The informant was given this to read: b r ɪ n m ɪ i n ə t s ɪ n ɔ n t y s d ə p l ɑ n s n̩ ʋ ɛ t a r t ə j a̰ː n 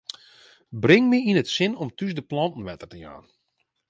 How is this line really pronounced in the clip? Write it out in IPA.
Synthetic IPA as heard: b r ɪ ŋ m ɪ i n ə t s ɪ n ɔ m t y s d ə p l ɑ n t n̩ ʋ ɛ t ə r t ə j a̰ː n